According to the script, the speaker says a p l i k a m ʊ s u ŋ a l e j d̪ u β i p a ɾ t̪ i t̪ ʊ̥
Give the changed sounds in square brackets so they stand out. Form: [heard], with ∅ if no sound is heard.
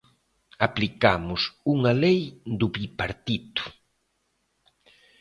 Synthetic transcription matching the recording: a p l i k a m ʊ s u ŋ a l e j d̪ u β i p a ɾ t̪ i t̪ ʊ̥